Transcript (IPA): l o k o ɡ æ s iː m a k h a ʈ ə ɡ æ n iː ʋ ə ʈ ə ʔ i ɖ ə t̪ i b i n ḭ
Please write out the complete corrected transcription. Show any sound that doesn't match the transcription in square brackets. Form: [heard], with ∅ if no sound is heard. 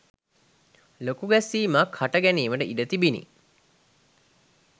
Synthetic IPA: l o k [u] ɡ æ s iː m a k h a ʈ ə ɡ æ n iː ʋ ə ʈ ə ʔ i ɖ ə t̪ i b i n ḭ